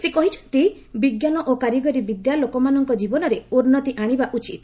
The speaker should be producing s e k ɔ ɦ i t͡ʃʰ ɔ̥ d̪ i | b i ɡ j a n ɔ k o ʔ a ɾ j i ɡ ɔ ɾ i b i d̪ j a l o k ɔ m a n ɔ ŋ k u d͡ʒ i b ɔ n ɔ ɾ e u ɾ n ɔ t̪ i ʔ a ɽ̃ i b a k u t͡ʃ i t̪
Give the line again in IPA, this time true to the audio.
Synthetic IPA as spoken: s e k ɔ ɦ i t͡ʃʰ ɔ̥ t̪ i | b i ɡ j a n ɔ ʔ o k a ɾ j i ɡ ɔ ɾ i b i d̪ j a l o k ɔ m a n ɔ ŋ k ɔ d͡ʒ i b ɔ n ɔ ɾ e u ɾ n ɔ t̪ i ʔ a ɽ̃ i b a ʔ u t͡ʃ i t̪